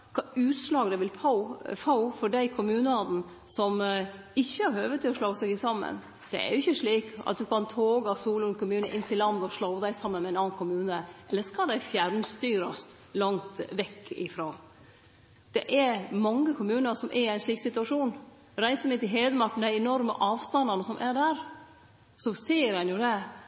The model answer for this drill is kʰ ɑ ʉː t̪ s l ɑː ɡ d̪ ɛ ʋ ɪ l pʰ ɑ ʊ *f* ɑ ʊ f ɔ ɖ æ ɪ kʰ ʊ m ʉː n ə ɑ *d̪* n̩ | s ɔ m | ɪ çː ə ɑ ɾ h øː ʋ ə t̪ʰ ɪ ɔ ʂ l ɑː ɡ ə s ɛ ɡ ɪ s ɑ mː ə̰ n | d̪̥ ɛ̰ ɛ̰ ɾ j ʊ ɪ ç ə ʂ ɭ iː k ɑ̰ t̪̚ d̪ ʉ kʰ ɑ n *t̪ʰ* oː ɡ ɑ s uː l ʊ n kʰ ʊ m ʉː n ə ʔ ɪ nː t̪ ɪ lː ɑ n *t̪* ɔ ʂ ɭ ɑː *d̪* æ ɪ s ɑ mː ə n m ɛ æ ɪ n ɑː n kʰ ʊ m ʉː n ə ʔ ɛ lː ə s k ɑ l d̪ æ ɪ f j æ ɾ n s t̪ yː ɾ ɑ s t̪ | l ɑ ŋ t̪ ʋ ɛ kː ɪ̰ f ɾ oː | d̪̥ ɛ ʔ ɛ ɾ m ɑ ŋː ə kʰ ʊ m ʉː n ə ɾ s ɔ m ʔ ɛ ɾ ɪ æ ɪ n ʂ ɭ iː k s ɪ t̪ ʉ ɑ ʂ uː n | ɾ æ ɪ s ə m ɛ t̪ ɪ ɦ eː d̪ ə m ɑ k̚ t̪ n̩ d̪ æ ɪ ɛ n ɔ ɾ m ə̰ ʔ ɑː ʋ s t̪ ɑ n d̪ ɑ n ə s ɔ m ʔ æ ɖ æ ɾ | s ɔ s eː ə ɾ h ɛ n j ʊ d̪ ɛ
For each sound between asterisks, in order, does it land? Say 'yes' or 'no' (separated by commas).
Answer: yes, yes, yes, no, yes